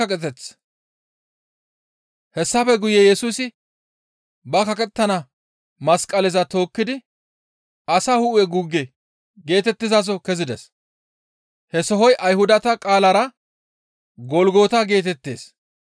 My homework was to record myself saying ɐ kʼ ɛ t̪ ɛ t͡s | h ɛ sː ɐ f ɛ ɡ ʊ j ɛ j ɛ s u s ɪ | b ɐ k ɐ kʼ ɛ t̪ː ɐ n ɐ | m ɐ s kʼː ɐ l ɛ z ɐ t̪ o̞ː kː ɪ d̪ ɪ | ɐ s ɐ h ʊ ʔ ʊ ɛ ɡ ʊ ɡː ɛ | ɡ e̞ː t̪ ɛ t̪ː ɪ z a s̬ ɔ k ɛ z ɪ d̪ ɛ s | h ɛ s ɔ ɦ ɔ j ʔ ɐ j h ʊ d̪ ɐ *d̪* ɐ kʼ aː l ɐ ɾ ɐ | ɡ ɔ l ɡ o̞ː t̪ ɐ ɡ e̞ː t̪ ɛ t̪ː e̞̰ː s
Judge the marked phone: incorrect: t̪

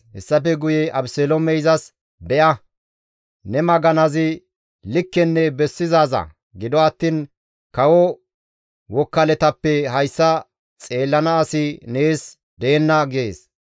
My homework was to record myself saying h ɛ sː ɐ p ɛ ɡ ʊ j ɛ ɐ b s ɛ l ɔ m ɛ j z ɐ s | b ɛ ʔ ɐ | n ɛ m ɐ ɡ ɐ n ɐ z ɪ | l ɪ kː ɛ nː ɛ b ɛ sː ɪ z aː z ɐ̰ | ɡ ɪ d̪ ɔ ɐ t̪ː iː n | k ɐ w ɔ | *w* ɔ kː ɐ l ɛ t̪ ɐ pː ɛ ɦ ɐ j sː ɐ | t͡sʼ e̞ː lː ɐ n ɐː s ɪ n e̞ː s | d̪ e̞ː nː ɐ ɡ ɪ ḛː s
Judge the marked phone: correct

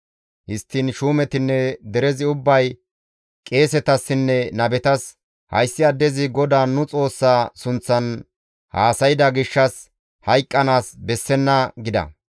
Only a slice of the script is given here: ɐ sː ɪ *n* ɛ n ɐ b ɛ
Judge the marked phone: incorrect: nː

